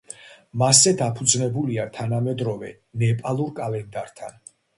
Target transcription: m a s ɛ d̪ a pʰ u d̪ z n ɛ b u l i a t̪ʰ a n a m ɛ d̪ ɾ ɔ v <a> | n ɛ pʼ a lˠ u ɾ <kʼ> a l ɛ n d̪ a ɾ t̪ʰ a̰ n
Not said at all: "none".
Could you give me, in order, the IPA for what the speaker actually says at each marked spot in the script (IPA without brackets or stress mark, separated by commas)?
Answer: ɛ, kʼ